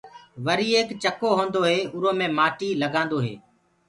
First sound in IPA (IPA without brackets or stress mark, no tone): ʋ